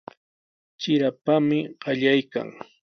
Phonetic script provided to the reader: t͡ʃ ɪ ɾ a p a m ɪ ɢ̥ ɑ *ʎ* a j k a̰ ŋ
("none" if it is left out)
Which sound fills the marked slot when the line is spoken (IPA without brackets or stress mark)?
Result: ʎ